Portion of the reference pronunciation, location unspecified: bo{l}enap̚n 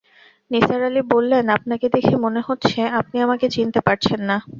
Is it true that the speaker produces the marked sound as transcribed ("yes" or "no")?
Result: no